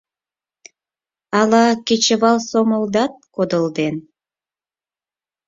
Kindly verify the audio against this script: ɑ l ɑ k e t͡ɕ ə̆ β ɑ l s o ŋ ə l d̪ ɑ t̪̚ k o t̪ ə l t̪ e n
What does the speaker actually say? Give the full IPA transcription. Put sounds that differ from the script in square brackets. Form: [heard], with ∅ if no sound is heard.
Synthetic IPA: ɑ l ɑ k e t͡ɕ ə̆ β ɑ l s o [m] ə l d̪ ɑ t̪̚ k o [d̪] ə l [d̪] e n